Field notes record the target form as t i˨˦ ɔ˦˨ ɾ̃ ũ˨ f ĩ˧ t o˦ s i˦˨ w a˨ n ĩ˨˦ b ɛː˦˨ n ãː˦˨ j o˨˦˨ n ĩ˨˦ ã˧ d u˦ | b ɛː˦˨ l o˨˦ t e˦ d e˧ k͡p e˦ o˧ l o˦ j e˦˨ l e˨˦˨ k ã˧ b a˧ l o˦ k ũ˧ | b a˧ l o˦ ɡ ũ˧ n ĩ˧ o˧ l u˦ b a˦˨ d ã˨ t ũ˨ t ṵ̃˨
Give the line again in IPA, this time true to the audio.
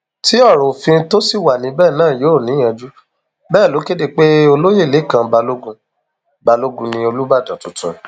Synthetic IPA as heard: t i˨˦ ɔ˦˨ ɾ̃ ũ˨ f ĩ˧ t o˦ s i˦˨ w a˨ n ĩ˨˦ b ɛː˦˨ n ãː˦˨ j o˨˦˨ n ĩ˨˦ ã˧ d͡ʒ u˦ | b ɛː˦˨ l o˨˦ k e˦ d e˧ k͡p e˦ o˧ l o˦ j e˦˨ l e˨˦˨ k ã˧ b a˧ l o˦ ɡ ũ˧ | b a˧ l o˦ ɡ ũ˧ n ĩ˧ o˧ l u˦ b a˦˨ d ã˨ t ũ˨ t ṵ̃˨

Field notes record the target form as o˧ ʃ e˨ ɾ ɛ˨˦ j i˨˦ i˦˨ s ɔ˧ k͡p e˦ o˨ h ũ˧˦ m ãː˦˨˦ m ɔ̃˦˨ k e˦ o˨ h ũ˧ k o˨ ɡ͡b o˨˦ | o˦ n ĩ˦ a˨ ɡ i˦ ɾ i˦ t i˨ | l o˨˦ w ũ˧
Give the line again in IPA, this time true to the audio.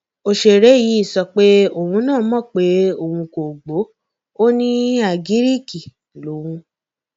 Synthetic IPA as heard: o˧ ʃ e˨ ɾ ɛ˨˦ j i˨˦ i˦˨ s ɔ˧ k͡p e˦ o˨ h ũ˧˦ n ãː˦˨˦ m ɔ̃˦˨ k͡p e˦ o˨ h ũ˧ k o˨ ɡ͡b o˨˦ | o˦ n ĩ˦ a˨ ɡ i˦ ɾ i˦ k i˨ | l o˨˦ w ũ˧

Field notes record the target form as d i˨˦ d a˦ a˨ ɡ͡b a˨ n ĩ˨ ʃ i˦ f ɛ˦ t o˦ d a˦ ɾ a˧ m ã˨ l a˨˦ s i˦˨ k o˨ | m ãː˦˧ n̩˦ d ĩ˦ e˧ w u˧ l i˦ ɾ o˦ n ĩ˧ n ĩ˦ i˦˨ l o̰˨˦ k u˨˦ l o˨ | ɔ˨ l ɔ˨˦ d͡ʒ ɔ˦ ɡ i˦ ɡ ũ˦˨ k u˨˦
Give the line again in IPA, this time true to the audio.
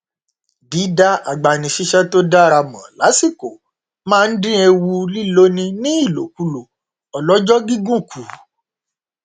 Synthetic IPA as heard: d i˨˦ d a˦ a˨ ɡ͡b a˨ n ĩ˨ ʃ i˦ ʃ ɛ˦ t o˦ d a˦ ɾ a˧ m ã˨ l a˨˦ s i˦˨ k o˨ | m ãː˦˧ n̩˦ d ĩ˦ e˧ w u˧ l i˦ l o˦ n ĩ˧ n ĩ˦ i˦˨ l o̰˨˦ k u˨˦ l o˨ | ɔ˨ l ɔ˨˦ d͡ʒ ɔ˦ ɡ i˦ ɡ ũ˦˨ k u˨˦

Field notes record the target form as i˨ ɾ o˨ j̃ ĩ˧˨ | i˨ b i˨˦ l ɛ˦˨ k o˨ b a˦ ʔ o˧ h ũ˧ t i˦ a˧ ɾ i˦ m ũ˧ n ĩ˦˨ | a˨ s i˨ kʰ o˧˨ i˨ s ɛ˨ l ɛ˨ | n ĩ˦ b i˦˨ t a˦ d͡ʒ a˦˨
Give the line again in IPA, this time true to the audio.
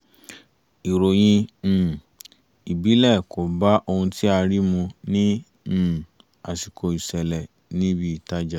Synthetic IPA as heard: i˨ ɾ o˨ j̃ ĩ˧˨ | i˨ b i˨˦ l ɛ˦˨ k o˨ b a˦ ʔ o˧ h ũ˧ t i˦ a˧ ɾ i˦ m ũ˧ n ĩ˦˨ | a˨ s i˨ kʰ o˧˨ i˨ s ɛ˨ l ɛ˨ | n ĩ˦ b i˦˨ t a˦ d͡ʒ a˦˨

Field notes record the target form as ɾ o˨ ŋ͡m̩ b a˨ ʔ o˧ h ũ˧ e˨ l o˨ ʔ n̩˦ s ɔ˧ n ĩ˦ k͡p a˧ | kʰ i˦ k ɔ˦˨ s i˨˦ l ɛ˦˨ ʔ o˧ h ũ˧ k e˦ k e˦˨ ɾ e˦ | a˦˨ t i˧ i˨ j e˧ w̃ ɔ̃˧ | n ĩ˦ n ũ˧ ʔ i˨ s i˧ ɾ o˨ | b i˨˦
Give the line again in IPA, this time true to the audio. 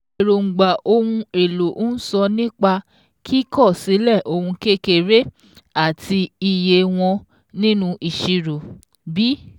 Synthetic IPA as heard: ɾ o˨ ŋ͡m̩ ɡ͡b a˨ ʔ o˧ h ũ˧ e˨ l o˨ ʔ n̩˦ s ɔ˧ n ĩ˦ k͡p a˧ | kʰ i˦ k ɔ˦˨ s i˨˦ l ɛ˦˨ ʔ o˧ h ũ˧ k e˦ k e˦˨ ɾ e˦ | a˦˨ t i˧ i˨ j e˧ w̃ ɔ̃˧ | n ĩ˦ n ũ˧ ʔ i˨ ʃ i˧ ɾ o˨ | b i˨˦

